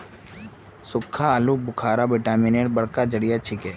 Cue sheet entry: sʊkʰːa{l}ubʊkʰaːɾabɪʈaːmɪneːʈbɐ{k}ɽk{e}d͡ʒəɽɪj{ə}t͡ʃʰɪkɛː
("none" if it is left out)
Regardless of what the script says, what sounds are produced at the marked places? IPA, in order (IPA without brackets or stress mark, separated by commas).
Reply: l, none, a, a